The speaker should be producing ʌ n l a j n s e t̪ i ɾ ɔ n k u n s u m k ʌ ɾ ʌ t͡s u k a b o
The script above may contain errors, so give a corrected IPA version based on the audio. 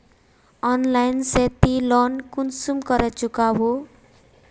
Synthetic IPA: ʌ n l a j n s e t̪ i l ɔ n k u n s u m k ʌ ɾ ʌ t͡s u k a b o

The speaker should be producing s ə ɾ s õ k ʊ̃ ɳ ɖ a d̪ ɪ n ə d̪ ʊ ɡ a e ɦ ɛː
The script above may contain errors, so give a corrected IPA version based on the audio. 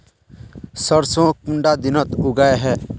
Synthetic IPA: s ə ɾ s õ k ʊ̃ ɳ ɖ a d̪ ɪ n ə t̪ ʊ ɡ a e ɦ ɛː

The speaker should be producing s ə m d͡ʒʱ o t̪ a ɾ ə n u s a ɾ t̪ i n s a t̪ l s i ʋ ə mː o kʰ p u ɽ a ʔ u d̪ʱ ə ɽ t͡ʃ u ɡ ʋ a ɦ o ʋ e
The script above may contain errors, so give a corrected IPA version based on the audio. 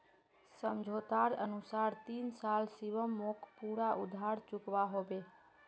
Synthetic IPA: s ə m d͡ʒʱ o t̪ a ɾ ə n u s a ɾ t̪ i n s a l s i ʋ ə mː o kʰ p u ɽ a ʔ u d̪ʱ a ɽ t͡ʃ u k ʋ a ɦ o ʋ e

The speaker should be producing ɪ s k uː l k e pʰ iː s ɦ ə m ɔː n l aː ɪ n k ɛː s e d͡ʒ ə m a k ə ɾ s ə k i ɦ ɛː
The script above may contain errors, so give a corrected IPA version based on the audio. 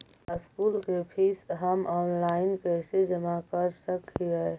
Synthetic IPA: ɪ s k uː l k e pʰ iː s ɦ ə m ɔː n l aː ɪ n k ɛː s e d͡ʒ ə m a k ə ɾ s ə k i ɦ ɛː

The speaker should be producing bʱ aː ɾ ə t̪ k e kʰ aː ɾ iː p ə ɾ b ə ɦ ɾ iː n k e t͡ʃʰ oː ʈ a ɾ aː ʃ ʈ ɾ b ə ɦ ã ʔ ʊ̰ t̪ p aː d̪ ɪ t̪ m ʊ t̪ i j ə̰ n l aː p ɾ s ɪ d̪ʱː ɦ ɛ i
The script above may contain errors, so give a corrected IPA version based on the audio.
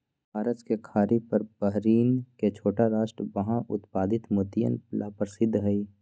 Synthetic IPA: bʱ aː ɾ ə t̪ k e kʰ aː ɾ i p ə ɾ b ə ɦ ɾ iː n k e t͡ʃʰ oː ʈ a ɾ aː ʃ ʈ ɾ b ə ɦ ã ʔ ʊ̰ t̪ p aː d̪ ɪ t̪ m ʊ t̪ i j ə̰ n l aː p ɾ s ɪ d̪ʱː ɦ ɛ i

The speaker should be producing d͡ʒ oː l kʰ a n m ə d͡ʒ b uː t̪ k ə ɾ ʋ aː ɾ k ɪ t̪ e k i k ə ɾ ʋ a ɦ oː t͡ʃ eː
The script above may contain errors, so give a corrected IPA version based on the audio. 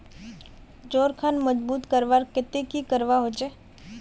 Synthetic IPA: d͡ʒ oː ɾ kʰ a n m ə d͡ʒ b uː t̪ k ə ɾ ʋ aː ɾ k ɪ t̪ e k i k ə ɾ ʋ a ɦ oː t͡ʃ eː

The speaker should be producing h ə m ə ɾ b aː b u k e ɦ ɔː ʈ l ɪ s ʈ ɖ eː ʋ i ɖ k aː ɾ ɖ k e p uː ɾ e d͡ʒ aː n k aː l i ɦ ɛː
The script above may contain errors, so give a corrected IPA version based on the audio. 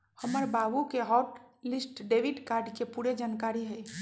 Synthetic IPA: h ə m ə ɾ b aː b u k e ɦ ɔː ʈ l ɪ s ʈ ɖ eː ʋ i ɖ k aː ɾ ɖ k e p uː ɾ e d͡ʒ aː n k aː ɾ i ɦ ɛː

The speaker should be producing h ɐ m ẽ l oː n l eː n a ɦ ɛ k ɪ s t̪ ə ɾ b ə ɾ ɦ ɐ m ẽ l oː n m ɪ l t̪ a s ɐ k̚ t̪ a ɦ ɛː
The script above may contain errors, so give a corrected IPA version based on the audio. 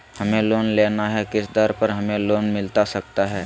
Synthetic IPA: h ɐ m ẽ l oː n l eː n a ɦ ɛ k ɪ s d̪ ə ɾ p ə ɾ ɦ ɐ m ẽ l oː n m ɪ l t̪ a s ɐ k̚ t̪ a ɦ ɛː

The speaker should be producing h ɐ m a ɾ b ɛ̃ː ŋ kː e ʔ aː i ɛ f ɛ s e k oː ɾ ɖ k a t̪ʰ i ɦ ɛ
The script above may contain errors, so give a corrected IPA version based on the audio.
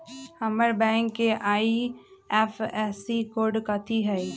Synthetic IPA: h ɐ m ə ɾ b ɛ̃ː ŋ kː e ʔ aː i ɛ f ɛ s i k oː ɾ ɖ k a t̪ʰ i ɦ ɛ

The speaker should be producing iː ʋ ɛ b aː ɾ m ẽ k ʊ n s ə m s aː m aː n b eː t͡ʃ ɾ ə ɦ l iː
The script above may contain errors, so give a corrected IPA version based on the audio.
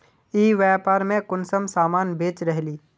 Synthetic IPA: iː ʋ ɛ p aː ɾ m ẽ k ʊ n s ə m s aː m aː n b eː t͡ʃ ɾ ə ɦ l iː

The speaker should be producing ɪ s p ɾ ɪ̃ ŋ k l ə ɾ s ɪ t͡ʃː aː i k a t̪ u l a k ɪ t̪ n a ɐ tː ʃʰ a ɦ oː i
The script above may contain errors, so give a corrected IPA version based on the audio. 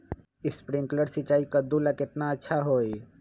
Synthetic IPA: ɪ s p ɾ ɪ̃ ŋ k l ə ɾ s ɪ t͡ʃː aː i k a d̪ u l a k ɪ t̪ n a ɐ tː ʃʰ a ɦ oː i

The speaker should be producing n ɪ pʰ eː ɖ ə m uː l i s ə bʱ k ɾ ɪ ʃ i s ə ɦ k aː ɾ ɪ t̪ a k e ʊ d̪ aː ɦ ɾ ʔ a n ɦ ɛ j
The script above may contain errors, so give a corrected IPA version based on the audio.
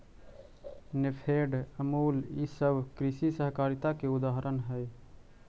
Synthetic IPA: n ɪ pʰ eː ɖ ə m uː l i s ə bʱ k ɾ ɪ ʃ i s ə ɦ k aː ɾ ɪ t̪ a k e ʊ d̪ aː ɦ ɾ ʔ ə n ɦ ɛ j

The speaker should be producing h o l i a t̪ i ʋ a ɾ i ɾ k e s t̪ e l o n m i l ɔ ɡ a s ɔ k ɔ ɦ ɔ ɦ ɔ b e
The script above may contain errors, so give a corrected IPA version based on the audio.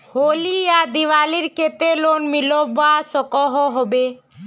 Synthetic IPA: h o l i a d̪ i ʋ a l i ɾ k e t̪ e l o n m i l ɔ b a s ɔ k ɔ ɦ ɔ ɦ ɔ b e

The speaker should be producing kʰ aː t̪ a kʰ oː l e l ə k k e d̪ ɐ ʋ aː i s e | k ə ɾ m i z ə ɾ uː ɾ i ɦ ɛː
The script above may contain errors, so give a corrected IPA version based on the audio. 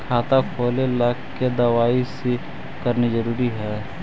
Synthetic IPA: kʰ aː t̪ a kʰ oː l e l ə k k e d̪ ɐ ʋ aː i s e | k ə ɾ n i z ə ɾ uː ɾ i ɦ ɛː

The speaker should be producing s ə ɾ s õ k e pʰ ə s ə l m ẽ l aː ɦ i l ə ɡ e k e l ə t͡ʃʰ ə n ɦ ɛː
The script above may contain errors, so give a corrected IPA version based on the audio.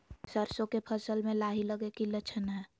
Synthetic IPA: s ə ɾ s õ k e pʰ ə s ə l m ẽ l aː ɦ i l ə ɡ e k i l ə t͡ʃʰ ə n ɦ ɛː

